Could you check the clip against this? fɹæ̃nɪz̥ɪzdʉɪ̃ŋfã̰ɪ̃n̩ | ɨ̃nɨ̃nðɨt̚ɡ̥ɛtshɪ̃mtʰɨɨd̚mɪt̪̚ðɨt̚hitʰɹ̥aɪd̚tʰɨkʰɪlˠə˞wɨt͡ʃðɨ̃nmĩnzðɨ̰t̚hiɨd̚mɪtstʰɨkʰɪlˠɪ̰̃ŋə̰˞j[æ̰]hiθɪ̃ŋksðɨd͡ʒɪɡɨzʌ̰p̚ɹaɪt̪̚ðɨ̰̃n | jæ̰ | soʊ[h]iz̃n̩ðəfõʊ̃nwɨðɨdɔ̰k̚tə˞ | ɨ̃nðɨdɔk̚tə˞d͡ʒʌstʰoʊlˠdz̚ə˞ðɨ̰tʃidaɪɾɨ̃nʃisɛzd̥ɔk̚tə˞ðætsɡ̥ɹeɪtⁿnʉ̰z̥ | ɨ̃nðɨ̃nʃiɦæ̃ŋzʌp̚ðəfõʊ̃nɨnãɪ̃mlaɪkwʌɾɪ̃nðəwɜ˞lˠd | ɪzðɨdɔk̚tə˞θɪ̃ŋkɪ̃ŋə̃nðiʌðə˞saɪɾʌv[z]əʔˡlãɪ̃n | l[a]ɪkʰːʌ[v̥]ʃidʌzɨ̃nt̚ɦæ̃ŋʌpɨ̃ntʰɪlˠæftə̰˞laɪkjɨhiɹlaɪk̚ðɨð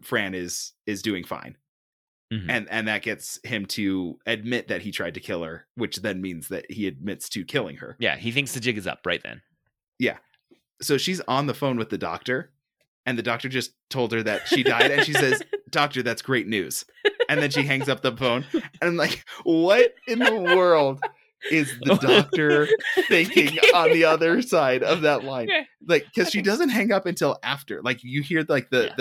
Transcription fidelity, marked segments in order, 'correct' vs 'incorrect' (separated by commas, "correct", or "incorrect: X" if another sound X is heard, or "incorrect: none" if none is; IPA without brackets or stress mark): correct, incorrect: ʃ, incorrect: ð, correct, incorrect: z̥